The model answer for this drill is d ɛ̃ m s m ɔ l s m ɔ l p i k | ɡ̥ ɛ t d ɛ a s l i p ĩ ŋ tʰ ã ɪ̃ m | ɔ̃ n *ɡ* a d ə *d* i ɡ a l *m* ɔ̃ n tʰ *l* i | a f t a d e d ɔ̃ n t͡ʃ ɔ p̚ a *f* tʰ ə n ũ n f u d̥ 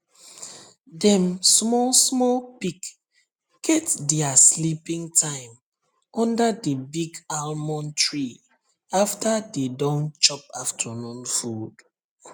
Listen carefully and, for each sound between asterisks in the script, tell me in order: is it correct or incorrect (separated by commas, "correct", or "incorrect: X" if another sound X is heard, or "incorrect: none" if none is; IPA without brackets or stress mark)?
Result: incorrect: d, incorrect: b, correct, incorrect: ɹ, correct